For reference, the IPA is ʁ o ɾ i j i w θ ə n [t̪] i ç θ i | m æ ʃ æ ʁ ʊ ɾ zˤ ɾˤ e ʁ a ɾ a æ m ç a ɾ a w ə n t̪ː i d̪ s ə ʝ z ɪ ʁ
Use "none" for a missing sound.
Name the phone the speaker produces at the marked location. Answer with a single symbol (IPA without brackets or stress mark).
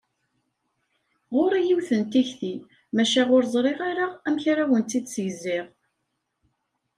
t̪